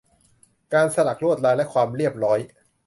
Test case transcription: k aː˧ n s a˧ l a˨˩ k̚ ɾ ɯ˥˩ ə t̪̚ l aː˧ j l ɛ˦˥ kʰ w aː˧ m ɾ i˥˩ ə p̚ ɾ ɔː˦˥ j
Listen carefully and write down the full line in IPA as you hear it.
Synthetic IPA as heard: k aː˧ n s a˧ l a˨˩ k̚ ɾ u˥˩ ə t̪̚ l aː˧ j l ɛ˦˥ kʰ w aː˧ m ɾ i˥˩ ə p̚ ɾ ɔː˦˥ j

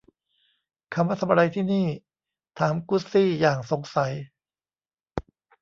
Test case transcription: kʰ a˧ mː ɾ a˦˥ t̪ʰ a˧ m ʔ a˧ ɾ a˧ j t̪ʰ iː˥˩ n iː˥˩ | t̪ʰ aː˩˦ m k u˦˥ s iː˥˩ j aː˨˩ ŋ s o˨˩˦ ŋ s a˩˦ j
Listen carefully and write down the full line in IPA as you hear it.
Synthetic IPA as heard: kʰ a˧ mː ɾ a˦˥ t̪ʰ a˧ m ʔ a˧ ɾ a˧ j t̪ʰ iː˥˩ n iː˥˩ | t̪ʰ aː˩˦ m k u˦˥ s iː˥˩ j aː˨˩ ŋ s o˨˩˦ ŋ s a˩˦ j

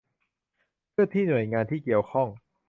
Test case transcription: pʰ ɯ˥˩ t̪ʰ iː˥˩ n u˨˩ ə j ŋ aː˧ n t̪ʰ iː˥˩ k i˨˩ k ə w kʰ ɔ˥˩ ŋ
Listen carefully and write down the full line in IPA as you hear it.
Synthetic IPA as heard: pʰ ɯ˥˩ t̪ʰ iː˥˩ n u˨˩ ə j ŋ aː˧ n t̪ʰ iː˥˩ k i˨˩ ə w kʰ ɔ˥˩ ŋ

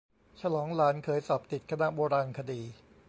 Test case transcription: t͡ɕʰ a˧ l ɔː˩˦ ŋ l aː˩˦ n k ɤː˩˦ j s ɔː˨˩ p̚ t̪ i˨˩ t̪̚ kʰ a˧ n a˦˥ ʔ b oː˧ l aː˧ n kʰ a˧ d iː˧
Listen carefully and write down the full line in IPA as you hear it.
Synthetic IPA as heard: t͡ɕʰ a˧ l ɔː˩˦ ŋ l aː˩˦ n kʰ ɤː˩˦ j s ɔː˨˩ p̚ t̪ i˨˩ t̪̚ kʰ a˧ n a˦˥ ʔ b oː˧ ɾ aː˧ n kʰ a˧ d iː˧

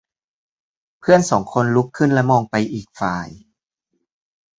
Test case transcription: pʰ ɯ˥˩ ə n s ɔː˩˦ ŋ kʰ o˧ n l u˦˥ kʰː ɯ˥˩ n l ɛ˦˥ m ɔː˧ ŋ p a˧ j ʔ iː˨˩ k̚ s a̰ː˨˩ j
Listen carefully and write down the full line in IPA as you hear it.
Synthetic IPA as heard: pʰ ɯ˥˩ ə n s ɔː˩˦ ŋ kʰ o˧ n l u˦˥ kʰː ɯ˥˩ n l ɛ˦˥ m ɔː˧ ŋ p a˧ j ʔ iː˨˩ k̚ f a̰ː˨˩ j

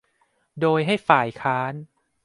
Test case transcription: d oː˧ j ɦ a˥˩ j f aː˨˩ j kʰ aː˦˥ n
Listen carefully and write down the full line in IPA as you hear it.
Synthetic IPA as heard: d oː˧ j ɦ a˥˩ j f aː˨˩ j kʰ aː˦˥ n

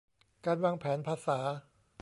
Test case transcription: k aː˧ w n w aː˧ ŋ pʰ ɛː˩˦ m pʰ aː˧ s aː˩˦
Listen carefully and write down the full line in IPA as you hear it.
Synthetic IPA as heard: k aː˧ n w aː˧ ŋ pʰ ɛː˩˦ n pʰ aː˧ s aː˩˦

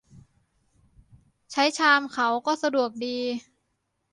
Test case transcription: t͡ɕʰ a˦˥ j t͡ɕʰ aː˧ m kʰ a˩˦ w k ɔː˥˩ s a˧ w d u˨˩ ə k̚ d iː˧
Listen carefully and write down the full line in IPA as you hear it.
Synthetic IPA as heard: t͡ɕʰ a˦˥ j t͡ɕʰ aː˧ m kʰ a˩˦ w k ɔː˥˩ s a˧ d u˨˩ ə k̚ d iː˧

